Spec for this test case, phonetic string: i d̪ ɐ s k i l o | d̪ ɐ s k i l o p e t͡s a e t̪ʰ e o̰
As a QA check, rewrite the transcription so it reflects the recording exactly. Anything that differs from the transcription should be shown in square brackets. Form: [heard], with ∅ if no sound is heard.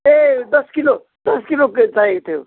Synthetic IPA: [e] d̪ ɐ s k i l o | d̪ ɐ s k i l o [k] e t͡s a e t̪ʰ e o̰